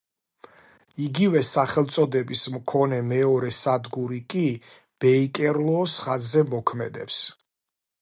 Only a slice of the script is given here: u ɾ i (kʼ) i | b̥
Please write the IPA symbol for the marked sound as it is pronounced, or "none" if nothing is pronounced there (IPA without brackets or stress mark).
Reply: kʼ